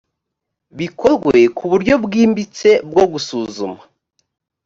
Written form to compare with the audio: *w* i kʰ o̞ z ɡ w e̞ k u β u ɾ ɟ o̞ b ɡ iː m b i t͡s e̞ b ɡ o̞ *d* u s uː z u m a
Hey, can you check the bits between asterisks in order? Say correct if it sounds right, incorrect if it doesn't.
incorrect: β, incorrect: ɡ

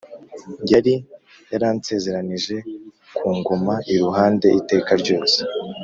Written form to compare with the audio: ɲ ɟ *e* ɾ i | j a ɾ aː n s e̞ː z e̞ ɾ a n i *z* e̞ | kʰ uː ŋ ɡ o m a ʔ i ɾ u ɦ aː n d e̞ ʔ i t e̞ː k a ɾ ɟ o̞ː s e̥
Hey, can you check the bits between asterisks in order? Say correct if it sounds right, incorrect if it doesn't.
incorrect: a, incorrect: ʒ

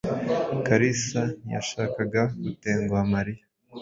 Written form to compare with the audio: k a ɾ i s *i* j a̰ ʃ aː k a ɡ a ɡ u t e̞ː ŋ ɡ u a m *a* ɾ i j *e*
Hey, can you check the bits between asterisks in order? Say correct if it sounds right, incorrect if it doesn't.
incorrect: a, correct, incorrect: a

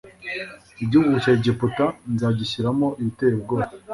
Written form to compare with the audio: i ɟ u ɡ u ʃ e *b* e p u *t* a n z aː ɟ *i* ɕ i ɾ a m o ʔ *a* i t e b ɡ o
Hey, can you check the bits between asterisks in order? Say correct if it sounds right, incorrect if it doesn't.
incorrect: ɟ, correct, correct, incorrect: i

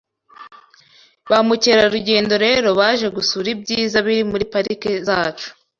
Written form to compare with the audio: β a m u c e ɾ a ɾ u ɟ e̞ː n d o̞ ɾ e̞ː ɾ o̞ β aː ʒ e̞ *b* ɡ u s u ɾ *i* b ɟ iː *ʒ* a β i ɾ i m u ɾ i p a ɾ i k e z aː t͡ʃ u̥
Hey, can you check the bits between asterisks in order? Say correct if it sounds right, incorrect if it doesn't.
incorrect: none, correct, incorrect: z

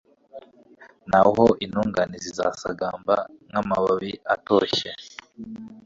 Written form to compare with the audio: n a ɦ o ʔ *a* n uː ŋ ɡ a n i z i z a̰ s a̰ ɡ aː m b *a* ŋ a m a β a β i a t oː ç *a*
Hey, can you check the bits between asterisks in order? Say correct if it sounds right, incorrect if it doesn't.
incorrect: i, correct, incorrect: e

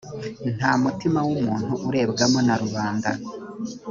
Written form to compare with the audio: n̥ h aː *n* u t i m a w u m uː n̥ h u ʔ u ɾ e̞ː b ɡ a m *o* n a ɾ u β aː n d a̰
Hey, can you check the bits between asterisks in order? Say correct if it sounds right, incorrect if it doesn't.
incorrect: m, correct

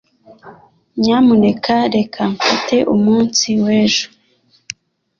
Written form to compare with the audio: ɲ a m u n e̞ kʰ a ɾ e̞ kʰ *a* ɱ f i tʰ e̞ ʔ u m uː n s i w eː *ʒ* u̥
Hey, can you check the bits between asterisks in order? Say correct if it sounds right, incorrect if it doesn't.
correct, correct

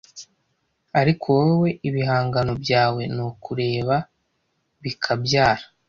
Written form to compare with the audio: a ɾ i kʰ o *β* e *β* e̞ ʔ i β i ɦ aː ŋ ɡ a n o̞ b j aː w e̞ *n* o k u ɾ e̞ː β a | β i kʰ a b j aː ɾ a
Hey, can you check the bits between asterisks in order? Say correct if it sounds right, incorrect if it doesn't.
incorrect: w, incorrect: w, correct

